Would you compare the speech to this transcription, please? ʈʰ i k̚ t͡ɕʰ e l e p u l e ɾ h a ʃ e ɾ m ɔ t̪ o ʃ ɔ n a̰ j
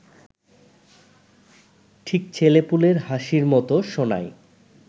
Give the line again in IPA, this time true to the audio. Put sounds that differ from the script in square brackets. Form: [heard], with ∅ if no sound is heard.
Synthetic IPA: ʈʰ i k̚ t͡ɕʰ e l e p u l e ɾ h a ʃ [i] ɾ m ɔ t̪ o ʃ [o] n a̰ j